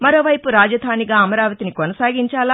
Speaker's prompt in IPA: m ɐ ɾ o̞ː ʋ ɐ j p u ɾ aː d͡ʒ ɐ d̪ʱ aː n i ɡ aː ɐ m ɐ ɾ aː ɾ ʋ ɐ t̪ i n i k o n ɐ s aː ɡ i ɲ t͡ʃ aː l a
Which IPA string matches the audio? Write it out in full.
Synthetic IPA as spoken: m ɐ ɾ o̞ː ʋ ɐ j p u ɾ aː d͡ʒ ɐ d̪ʱ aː n i ɡ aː ɐ m ɐ ɾ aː ʋ ɐ t̪ i n i k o n ɐ s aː ɡ i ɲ t͡ʃ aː l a